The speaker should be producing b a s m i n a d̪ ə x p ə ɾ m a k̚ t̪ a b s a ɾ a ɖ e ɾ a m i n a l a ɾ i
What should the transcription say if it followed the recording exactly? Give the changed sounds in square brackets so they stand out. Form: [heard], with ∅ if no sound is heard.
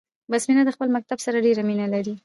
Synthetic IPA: b a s m i n a d̪ ə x p ə [l] m a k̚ t̪ a b s a ɾ a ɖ e ɾ a m i n a l a ɾ i